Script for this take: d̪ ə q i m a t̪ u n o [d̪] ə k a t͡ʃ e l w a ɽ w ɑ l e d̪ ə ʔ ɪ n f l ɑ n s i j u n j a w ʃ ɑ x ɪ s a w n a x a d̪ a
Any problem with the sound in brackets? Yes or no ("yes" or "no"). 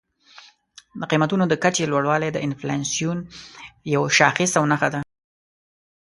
no